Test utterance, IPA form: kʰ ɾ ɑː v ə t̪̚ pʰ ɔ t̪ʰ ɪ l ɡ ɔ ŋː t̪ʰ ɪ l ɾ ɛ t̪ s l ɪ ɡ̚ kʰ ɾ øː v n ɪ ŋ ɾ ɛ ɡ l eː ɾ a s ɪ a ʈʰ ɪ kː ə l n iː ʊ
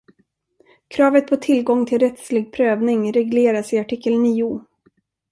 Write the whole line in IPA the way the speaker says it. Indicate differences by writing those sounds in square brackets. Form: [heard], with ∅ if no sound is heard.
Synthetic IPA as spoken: kʰ ɾ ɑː v ə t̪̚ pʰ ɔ t̪ʰ ɪ l ɡ ɔ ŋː t̪ʰ ɪ l ɾ ɛ t̪ s l ɪ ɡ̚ [pʰ] ɾ øː v n ɪ ŋ ɾ ɛ ɡ l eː ɾ a s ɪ a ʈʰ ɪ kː ə l n iː ʊ